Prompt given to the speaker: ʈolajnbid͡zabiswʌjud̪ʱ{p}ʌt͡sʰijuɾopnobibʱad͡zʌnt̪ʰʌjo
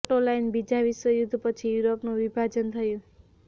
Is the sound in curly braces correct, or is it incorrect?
correct